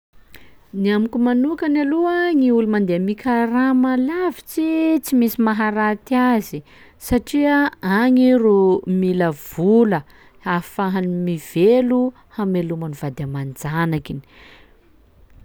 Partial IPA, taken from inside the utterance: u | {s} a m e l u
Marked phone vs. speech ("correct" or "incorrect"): incorrect